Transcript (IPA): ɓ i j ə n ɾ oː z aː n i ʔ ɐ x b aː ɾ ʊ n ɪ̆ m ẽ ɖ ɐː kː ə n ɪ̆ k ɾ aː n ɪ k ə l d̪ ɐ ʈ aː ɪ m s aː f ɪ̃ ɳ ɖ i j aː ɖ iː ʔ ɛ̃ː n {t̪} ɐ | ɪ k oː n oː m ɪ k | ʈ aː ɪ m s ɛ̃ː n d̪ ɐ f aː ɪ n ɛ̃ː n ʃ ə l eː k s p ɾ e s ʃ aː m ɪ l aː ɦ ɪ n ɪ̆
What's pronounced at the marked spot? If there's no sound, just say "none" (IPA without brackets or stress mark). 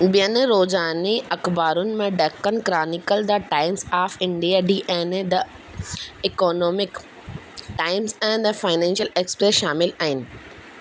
d̪